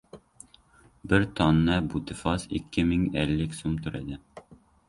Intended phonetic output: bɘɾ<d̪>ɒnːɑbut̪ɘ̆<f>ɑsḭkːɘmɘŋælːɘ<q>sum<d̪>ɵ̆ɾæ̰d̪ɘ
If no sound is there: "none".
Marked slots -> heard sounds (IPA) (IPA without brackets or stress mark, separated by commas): t̪, f, k, t̪